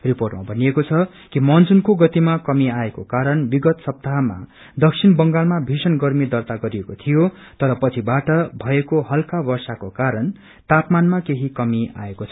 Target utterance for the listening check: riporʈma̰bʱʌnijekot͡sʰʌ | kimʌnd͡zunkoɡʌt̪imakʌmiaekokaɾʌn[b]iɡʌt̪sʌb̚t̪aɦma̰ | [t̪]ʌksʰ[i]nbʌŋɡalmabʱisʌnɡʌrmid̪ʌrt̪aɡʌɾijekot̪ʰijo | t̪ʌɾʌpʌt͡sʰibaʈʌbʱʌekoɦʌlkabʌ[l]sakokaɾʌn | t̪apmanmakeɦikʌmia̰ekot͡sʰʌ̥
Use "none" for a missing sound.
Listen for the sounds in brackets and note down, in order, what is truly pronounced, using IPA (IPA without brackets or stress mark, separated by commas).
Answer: b, d̪, i, r